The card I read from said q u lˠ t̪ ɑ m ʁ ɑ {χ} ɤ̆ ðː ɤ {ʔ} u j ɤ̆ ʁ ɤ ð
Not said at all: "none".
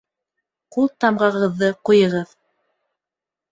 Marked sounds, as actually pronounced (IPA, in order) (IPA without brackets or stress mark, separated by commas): ʁ, q